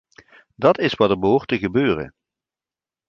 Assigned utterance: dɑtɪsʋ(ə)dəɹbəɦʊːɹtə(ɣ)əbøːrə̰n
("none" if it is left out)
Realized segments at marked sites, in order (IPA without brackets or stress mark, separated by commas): ɑ, ɣ